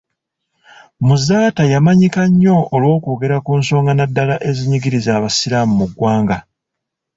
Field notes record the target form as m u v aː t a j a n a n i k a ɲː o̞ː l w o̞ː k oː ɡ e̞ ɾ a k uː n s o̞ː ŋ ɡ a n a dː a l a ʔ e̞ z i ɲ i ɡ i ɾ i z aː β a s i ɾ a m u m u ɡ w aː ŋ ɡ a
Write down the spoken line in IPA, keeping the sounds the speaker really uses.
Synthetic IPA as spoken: m u z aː t a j a m a ɲ i k a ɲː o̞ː l w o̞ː k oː ɡ e̞ ɾ a k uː n s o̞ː ŋ ɡ a n a dː a l a ʔ e̞ z i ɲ i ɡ i ɾ i z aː β a s i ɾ a m u m u ɡ w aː ŋ ɡ a

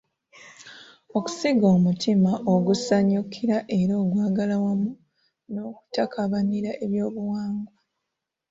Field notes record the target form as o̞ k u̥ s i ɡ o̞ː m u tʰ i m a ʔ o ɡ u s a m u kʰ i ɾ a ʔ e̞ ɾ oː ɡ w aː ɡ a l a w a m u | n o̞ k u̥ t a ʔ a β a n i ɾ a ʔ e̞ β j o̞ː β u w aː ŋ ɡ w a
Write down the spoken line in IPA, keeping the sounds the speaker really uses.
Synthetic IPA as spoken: o̞ k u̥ s i ɡ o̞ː m u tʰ i m a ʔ o ɡ u s a ɲ u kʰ i ɾ a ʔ e̞ ɾ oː ɡ w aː ɡ a l a w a m u | n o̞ k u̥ t a k a β a n i ɾ a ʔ e̞ β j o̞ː β u w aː ŋ ɡ w a

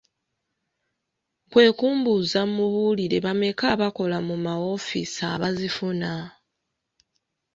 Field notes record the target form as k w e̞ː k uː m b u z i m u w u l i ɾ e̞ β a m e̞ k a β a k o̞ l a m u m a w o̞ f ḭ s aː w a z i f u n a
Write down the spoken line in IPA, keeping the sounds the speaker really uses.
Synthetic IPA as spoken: k w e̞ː k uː m b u z a m u β u l i ɾ e̞ β a m e̞ k a β a k o̞ l a m u m a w o̞ f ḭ s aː β a z i f u n a

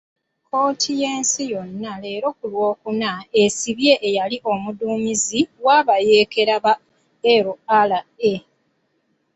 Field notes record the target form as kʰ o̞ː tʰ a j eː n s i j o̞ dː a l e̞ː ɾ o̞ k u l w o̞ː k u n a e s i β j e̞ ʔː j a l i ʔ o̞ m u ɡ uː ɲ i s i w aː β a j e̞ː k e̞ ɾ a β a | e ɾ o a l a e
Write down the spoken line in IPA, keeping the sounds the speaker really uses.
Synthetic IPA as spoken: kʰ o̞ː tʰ i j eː n s i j o̞ nː a l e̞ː ɾ o̞ k u l w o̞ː k u n a e s i β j e̞ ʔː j a l i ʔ o̞ m u d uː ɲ i z i w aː β a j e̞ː k e̞ ɾ a β a | e ɾ o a l a e

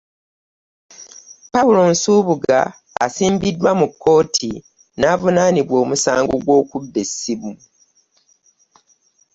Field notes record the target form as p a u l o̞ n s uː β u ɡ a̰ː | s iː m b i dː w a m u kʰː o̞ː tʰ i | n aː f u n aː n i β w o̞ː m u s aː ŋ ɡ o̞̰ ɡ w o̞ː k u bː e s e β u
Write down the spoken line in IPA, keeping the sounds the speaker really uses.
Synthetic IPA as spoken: p a u l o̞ n s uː β u ɡ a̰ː | s iː m b i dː w a m u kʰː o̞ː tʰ i | n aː v u n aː n i β w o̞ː m u s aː ŋ ɡ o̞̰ ɡ w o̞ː k u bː e s i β u

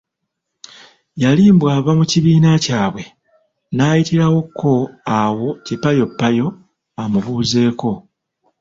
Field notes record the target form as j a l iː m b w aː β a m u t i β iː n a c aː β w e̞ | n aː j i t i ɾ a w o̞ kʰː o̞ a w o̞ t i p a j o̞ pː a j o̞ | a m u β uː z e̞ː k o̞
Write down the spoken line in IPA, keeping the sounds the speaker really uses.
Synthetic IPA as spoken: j a l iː m b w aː β a m u c i β iː n a c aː β w e̞ | n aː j i t i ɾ a w o̞ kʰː o̞ a w o̞ c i p a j o̞ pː a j o̞ | a m u β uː z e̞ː k o̞

